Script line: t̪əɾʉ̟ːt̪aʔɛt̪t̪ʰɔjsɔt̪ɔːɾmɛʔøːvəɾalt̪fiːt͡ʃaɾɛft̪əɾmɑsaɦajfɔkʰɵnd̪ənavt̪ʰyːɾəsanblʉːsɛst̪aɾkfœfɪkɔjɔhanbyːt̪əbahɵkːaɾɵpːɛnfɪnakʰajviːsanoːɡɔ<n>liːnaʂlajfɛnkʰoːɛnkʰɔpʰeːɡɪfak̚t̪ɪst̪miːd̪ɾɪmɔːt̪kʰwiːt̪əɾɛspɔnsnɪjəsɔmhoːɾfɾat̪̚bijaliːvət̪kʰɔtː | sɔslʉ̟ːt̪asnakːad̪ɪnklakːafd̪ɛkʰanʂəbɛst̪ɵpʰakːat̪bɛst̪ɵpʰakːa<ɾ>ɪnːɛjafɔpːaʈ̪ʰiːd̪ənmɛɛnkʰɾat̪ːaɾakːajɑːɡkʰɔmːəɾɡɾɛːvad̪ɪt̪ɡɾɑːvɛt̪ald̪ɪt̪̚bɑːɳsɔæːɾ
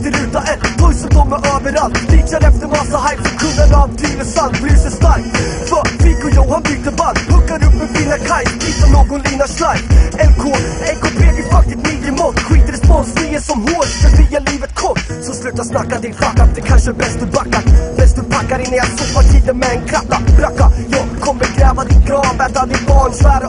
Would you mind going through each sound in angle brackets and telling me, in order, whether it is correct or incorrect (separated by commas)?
correct, correct